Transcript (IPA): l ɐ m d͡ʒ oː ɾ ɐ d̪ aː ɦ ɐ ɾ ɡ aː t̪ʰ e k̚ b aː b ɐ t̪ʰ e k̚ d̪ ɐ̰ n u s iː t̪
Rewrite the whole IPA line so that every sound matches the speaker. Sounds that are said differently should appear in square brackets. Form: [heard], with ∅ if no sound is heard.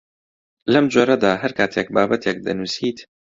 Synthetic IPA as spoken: l ɐ m d͡ʒ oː ɾ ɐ d̪ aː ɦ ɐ ɾ [k] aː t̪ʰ e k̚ b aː b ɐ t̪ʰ e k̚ d̪ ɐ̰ n u s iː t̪